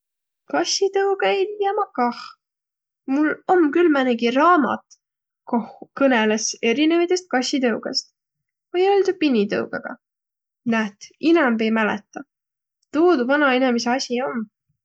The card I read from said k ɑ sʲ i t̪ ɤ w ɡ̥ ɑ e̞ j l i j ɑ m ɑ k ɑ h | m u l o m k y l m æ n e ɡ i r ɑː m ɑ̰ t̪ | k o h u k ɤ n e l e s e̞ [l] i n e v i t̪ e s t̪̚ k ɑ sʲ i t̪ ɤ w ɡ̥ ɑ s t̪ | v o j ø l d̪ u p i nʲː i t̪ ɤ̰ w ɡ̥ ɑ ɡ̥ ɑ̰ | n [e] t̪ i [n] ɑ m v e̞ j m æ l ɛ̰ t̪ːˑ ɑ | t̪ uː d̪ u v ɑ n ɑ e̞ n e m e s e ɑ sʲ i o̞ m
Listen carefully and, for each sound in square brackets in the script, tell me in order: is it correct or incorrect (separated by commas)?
incorrect, incorrect, correct